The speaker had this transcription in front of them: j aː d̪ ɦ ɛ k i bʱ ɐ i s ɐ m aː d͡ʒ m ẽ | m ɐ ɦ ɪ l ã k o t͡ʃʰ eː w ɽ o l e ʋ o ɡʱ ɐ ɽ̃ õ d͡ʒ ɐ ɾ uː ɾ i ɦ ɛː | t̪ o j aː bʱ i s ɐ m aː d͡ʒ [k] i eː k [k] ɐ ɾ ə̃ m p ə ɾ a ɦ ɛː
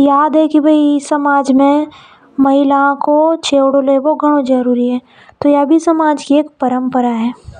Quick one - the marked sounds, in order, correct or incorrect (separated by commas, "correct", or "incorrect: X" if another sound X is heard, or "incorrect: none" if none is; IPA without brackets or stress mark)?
correct, incorrect: p